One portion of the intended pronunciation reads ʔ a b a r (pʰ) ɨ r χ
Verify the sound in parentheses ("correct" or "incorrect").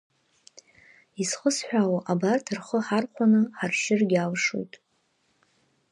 incorrect